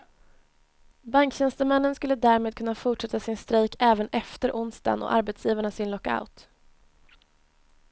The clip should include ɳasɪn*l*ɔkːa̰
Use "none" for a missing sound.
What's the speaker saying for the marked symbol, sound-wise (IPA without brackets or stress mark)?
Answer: l